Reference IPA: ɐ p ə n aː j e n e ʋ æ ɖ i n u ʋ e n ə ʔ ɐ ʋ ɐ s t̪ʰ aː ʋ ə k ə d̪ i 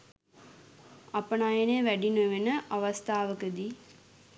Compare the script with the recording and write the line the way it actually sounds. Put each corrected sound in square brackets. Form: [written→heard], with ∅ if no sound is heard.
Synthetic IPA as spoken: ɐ p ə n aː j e n e ʋ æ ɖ i n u ʋ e n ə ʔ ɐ ʋ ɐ s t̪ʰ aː ʋ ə k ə d̪ i